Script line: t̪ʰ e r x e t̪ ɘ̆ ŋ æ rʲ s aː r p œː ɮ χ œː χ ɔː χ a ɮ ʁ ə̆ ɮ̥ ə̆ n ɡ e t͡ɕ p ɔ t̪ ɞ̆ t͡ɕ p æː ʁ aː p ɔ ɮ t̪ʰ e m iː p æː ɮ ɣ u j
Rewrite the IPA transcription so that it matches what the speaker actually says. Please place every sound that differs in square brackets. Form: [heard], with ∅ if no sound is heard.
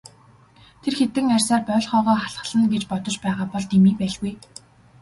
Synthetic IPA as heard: t̪ʰ e r x e t̪ ɘ̆ ŋ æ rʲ s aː r p œː ɮ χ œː [ʁ] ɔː χ a ɮ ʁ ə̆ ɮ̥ ə̆ n ɡ e t͡ɕ p ɔ t̪ ɞ̆ t͡ɕ p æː ʁ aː p ɔ ɮ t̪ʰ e m iː p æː ɮ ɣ u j